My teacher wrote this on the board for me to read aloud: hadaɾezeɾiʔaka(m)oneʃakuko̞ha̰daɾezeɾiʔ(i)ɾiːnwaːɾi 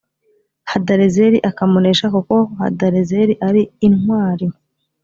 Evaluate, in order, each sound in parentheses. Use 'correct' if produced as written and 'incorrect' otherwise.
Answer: correct, incorrect

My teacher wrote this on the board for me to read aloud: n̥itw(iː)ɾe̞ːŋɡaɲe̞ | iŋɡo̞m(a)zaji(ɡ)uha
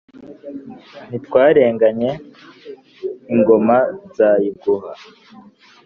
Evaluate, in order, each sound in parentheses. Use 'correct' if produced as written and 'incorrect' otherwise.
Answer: incorrect, correct, correct

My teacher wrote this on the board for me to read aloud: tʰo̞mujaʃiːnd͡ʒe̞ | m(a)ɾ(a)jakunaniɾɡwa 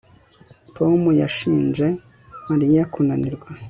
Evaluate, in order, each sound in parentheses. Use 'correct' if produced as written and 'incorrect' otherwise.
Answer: correct, incorrect

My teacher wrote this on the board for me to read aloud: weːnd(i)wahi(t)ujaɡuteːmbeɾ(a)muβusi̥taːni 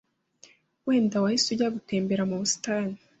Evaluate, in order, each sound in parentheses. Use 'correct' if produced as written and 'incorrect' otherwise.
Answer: incorrect, incorrect, correct

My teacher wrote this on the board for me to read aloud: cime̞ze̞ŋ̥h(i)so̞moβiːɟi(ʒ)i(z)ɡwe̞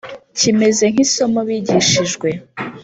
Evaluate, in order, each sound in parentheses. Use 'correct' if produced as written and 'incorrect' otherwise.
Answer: correct, incorrect, incorrect

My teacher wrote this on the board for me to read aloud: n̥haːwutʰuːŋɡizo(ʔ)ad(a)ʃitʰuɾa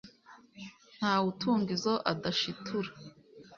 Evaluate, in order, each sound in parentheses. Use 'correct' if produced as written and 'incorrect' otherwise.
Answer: correct, correct

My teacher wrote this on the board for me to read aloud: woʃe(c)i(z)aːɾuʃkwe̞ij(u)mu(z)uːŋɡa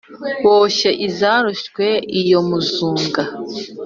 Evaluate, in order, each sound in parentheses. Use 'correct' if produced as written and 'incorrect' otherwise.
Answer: incorrect, correct, incorrect, correct

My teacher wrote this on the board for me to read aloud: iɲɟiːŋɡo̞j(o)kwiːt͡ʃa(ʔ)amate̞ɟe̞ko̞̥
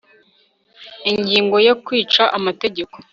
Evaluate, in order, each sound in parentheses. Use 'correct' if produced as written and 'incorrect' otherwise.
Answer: correct, correct

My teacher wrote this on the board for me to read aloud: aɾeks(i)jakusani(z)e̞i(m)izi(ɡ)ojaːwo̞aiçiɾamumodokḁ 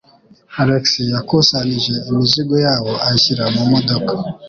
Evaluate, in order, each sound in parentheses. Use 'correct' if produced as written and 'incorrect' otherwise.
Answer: correct, incorrect, correct, correct

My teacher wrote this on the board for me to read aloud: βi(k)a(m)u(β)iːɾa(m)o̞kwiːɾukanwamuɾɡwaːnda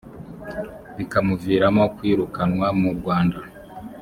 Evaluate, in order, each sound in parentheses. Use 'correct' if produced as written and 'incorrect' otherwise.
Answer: correct, correct, incorrect, correct

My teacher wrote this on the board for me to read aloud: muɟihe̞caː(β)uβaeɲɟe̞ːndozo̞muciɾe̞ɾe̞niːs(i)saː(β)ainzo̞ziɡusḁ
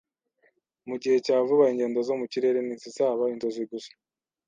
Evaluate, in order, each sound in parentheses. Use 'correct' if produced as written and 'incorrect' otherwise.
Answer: incorrect, correct, correct

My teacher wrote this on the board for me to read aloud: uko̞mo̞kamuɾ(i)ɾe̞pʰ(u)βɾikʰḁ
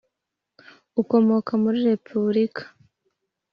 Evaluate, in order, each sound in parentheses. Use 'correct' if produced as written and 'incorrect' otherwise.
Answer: correct, correct

